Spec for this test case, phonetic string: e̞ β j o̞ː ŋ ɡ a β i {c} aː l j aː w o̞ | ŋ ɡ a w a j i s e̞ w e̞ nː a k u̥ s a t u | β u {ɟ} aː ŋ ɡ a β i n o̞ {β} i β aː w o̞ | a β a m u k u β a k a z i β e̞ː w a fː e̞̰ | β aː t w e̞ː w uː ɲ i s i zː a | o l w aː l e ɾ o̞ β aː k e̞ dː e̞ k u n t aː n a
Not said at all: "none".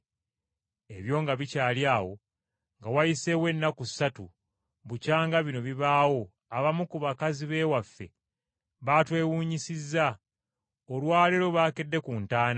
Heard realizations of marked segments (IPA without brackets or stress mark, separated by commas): c, c, β